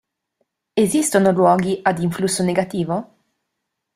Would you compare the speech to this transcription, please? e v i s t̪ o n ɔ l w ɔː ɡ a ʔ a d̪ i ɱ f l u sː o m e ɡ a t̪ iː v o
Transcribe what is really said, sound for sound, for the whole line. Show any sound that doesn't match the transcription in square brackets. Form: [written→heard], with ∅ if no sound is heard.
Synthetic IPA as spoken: e [v→z] i s t̪ o n [ɔ→o] l w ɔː ɡ [a→i] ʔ a d̪ i ɱ f l u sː o [m→n] e ɡ a t̪ iː v o